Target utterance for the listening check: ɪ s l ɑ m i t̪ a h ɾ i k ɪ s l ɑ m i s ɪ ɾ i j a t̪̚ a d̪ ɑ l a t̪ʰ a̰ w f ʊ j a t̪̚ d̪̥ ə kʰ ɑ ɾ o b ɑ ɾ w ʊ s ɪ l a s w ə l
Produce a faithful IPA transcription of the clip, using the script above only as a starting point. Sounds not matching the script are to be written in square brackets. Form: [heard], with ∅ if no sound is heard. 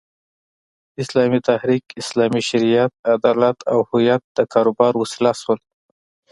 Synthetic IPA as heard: ɪ s l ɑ m i t̪ a h ɾ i k ɪ s l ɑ m i [ʃ] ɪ ɾ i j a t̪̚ a d̪ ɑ l a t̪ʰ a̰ w [h] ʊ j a t̪̚ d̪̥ ə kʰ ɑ ɾ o b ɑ ɾ w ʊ s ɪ l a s w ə l